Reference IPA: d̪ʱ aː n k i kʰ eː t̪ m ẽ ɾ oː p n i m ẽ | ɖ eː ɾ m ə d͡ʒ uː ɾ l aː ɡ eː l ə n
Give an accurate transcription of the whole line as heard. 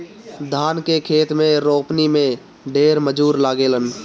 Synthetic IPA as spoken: d̪ʱ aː n k e kʰ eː t̪ m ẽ ɾ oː p n i m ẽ | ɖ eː ɾ m ə d͡ʒ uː ɾ l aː ɡ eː l ə n